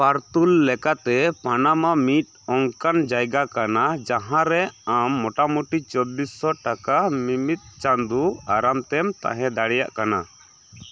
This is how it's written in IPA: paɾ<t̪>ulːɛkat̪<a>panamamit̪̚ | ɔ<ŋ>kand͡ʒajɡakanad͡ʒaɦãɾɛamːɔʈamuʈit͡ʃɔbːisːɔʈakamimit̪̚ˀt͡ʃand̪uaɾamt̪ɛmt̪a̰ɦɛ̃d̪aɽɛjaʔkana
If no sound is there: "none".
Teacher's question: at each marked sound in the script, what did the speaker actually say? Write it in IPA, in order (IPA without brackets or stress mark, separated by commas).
t̪, ɛ, ŋ